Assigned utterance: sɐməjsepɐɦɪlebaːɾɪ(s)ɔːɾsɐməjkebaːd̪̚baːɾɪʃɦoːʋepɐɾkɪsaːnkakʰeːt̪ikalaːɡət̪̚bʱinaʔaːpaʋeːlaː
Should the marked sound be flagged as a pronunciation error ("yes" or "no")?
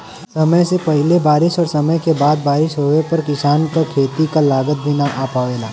yes